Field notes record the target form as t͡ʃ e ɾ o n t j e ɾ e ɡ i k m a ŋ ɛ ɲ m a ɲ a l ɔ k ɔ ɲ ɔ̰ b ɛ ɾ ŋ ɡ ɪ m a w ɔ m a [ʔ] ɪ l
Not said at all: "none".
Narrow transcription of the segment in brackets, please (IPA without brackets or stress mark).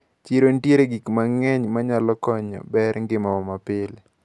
p